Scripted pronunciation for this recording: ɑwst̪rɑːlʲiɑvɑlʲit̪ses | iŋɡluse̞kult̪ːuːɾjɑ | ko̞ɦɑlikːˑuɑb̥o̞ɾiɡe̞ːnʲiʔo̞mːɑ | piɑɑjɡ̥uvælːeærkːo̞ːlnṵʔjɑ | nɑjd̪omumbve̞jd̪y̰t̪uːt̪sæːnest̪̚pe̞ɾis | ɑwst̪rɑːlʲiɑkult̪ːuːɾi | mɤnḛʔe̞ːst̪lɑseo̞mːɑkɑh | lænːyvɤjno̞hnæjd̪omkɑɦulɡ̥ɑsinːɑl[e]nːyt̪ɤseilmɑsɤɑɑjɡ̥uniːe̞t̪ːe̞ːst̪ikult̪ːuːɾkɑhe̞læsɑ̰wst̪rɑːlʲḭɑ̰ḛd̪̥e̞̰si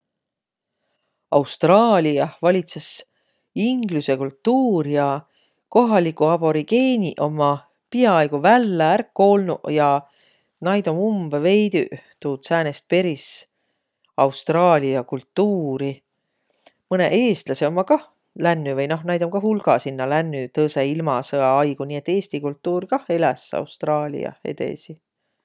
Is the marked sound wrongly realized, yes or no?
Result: yes